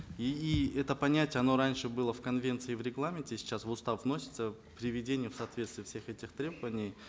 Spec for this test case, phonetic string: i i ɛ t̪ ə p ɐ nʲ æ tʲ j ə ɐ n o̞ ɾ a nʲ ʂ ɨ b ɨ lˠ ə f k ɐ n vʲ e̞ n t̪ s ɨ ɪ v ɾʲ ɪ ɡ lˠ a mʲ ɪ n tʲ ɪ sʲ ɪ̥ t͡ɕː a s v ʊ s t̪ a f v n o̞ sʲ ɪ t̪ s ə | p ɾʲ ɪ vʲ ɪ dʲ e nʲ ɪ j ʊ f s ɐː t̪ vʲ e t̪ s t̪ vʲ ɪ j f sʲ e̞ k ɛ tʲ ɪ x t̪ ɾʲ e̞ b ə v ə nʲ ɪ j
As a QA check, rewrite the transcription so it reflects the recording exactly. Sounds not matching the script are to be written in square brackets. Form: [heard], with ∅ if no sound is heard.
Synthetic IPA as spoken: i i ɛ t̪ ə p ɐ nʲ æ tʲ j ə ɐ n o̞ ɾ a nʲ ʂ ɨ b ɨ lˠ ə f k ɐ n vʲ e̞ n t̪ s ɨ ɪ v ɾʲ ɪ ɡ lˠ a mʲ ɪ n tʲ ɪ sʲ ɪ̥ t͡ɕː a s v ʊ s t̪ a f v n o̞ sʲ ɪ t̪ s ə | p ɾʲ ɪ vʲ ɪ dʲ e nʲ ɪ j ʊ f s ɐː t̪ vʲ e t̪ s t̪ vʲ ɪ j f sʲ e̞ [x] ɛ tʲ ɪ x t̪ ɾʲ e̞ b ə v ə nʲ ɪ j

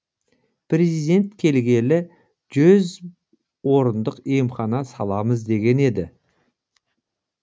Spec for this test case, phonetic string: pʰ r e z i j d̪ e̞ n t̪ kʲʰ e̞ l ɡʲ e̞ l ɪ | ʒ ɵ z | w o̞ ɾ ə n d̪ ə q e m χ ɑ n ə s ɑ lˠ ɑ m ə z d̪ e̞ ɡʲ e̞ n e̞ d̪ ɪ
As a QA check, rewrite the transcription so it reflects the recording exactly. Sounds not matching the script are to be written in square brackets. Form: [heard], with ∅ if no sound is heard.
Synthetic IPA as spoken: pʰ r e z i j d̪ e̞ n t̪ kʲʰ e̞ l ɡʲ e̞ l ɪ | ʒ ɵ z | w o̞ ɾ ə n d̪ ə q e m χ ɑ n [ɑ] s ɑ lˠ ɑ m ə z d̪ e̞ ɡʲ e̞ n e̞ d̪ ɪ

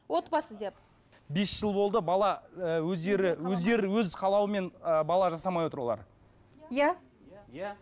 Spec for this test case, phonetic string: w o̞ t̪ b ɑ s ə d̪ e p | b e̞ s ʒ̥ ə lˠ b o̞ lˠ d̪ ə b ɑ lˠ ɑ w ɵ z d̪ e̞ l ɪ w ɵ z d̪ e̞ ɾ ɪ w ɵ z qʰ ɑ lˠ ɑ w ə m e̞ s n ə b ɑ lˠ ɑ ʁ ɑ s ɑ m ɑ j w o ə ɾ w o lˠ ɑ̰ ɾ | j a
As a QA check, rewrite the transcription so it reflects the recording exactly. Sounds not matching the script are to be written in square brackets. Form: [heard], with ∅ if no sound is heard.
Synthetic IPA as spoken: w o̞ t̪ b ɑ s ə d̪ e p | b e̞ s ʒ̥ ə lˠ b o̞ lˠ d̪ ə b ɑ lˠ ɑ w ɵ z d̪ e̞ [ɾ] ɪ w ɵ z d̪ e̞ ɾ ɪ w ɵ z qʰ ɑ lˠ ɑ w ə m e̞ [∅] n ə b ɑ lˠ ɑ [ʒ] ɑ s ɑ m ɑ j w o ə ɾ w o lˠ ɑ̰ ɾ | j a

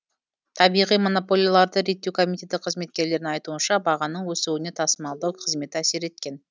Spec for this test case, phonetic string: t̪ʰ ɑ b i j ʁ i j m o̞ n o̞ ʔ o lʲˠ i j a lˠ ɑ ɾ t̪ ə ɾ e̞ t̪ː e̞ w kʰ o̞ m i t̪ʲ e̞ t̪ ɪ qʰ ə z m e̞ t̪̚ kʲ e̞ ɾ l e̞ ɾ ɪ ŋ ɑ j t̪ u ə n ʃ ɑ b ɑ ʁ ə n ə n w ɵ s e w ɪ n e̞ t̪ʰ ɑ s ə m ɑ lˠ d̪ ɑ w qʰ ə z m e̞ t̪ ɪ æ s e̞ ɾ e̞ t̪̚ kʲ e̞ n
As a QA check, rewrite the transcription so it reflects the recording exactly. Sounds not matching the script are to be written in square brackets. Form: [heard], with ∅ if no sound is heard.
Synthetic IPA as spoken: t̪ʰ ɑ b i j ʁ i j m o̞ n o̞ [p] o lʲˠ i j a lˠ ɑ ɾ [d̪] ə ɾ e̞ t̪ː e̞ w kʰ o̞ m i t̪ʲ e̞ t̪ ɪ qʰ ə z m e̞ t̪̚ kʲ e̞ ɾ l e̞ ɾ ɪ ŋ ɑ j t̪ u ə n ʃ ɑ b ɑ ʁ [ɑ] n ə [ɴ] w ɵ s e w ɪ n e̞ t̪ʰ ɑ s ə m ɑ lˠ d̪ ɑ w qʰ ə z m e̞ t̪ ɪ æ s e̞ ɾ e̞ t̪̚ kʲ e̞ n

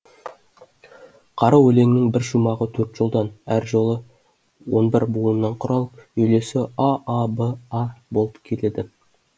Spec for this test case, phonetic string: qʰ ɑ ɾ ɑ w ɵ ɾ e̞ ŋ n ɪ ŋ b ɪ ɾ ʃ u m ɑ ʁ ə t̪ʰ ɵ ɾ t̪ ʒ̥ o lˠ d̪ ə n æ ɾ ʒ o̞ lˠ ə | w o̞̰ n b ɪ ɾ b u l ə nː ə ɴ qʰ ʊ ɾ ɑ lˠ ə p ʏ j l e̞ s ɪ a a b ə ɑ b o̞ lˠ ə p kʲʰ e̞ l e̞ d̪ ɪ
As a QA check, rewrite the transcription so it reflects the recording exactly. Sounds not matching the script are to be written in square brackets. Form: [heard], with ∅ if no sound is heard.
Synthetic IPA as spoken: qʰ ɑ ɾ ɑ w ɵ [l] e̞ ŋ n ɪ ŋ b ɪ ɾ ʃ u m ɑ ʁ ə t̪ʰ ɵ ɾ t̪ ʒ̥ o lˠ d̪ [ɑ] n æ ɾ ʒ o̞ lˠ ə | w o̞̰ n b ɪ ɾ b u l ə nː [ɑ] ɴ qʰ ʊ ɾ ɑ lˠ ə p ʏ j l e̞ s ɪ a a b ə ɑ b o̞ lˠ ə p kʲʰ e̞ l e̞ d̪ ɪ

